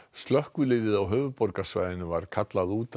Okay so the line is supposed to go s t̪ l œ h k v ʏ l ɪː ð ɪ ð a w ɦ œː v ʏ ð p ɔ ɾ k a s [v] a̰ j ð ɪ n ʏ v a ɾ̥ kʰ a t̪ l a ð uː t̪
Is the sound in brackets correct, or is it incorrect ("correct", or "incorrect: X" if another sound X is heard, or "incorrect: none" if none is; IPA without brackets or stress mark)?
correct